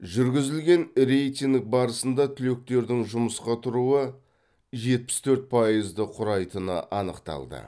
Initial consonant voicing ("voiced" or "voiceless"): voiced